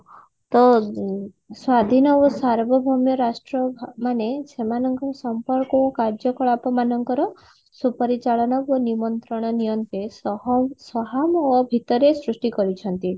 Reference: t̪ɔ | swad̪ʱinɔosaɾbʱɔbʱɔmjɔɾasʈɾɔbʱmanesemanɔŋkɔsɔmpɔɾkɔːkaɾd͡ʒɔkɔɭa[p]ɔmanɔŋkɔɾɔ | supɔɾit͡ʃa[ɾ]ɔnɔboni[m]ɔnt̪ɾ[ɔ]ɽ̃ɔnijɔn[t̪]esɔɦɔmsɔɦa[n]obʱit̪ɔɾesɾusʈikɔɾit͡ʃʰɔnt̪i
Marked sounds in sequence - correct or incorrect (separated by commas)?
correct, incorrect, correct, correct, correct, incorrect